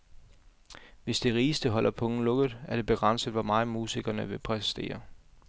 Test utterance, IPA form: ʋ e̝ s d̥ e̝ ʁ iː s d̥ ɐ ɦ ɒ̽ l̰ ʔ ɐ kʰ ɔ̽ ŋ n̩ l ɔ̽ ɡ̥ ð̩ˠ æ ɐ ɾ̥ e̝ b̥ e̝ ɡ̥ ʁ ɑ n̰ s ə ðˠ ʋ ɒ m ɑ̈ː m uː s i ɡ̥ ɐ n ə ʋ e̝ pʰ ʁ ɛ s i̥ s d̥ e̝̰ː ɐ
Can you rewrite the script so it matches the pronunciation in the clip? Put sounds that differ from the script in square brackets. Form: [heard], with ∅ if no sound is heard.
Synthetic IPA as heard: ʋ e̝ s d̥ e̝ ʁ iː s d̥ [ə] ɦ ɒ̽ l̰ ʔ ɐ [pʰ] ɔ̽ ŋ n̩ l ɔ̽ ɡ̥ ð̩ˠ æ ɐ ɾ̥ e̝ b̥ e̝ ɡ̥ ʁ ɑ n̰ s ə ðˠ ʋ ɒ m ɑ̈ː m uː s i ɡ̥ ɐ n ə ʋ e̝ pʰ ʁ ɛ s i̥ s d̥ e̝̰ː ɐ